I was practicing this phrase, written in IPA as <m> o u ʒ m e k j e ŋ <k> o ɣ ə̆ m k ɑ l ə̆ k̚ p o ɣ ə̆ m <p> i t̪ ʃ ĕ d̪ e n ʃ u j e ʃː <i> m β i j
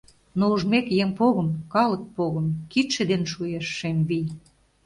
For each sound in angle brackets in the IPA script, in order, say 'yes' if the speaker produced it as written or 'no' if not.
no, no, no, no

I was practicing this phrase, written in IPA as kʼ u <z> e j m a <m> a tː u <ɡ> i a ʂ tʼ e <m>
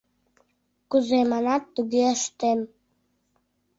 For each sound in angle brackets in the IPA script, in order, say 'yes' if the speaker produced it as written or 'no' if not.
yes, no, yes, yes

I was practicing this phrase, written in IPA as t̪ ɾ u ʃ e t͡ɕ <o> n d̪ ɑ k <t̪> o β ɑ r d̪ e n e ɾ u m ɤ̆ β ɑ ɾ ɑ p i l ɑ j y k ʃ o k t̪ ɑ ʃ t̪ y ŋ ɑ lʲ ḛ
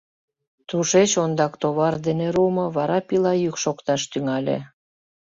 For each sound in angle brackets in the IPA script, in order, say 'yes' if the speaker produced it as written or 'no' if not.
yes, yes

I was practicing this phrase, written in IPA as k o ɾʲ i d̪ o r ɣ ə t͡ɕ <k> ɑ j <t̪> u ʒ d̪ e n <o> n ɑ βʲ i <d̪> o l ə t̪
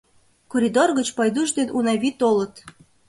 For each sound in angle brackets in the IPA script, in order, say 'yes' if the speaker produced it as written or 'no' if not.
no, no, no, no

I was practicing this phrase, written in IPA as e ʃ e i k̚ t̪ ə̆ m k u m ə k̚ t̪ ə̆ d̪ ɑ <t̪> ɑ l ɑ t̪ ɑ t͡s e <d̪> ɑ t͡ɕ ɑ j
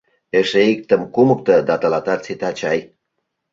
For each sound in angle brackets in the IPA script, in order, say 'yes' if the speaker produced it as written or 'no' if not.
yes, no

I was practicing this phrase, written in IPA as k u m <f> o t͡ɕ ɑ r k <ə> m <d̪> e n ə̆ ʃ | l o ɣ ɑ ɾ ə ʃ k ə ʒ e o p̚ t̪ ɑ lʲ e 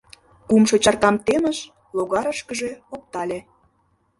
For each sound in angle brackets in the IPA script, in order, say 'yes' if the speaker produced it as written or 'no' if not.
no, no, no

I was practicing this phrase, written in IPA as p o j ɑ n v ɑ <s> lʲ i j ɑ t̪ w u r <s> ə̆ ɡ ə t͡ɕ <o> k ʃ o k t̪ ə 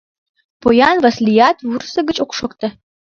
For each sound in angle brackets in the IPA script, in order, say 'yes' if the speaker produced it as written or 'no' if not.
yes, yes, yes

